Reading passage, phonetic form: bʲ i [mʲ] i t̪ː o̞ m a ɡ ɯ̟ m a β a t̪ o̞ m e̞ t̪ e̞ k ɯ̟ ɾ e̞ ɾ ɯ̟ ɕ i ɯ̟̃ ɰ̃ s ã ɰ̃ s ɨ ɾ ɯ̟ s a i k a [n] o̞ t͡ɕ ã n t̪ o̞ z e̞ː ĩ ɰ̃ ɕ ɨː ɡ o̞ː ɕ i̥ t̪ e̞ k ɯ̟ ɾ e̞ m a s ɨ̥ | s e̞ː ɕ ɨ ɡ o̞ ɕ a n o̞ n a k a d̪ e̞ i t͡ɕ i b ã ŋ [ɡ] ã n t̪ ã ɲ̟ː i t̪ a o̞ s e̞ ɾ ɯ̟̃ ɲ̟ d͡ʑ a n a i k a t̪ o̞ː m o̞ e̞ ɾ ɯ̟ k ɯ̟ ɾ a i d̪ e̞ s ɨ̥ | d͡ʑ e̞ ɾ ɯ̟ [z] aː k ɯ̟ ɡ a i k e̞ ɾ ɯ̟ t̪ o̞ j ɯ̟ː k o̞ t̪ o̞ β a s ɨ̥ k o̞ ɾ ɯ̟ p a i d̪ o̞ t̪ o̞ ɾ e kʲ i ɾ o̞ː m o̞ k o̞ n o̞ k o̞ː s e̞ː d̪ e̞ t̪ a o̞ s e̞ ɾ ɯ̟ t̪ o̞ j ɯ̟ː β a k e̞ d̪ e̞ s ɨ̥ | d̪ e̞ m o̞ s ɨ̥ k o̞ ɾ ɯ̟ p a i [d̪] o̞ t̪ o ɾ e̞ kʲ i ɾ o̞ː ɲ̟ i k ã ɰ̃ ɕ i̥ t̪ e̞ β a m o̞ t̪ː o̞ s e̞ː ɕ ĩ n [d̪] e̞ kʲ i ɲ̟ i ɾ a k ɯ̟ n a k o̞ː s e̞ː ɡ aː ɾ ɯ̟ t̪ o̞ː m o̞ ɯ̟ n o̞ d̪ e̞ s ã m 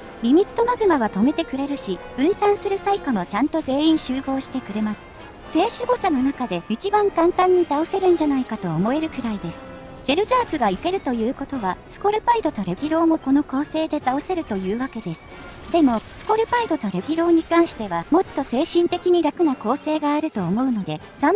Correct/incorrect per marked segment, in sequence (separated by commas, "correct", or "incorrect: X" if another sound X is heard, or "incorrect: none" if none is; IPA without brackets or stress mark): correct, incorrect: m, incorrect: k, correct, correct, incorrect: t̪